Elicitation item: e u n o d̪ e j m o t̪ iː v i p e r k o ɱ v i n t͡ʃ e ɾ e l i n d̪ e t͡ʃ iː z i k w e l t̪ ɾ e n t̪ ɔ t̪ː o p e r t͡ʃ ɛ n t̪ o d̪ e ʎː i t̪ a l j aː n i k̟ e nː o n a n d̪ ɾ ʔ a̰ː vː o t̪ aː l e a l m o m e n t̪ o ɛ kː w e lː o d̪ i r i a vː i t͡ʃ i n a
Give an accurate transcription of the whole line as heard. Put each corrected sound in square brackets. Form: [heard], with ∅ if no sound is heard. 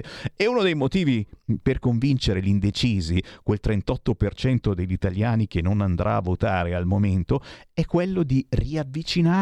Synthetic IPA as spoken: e u n o d̪ e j m o t̪ iː v i p e r k o ɱ v i n t͡ʃ e ɾ e l i n d̪ e t͡ʃ iː z i k w e l t̪ ɾ e n t̪ ɔ t̪ː o p e r t͡ʃ ɛ n t̪ o d̪ e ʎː i t̪ a l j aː n i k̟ e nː o n a n d̪ ɾ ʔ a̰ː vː o t̪ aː [ɾ] e a l m o m e n t̪ o ɛ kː w e lː o d̪ i r i a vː i t͡ʃ i n a